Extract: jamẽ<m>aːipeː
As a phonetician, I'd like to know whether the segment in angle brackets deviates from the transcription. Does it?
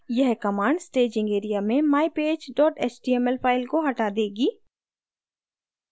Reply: no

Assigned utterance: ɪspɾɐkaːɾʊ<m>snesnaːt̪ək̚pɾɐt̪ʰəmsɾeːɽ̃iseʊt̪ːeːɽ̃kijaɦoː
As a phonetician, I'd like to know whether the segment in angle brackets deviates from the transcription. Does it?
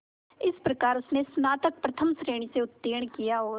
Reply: yes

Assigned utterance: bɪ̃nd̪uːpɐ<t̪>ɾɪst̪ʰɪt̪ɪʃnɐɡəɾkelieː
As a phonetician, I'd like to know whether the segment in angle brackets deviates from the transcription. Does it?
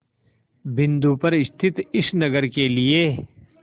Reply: yes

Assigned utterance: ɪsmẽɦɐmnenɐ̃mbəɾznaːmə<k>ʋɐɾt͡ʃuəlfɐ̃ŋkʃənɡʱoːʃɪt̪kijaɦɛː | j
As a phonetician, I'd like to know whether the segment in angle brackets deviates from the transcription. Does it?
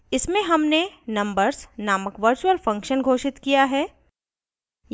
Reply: no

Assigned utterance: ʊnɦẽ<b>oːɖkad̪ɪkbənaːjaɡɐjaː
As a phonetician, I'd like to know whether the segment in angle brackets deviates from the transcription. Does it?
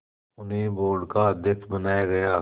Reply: no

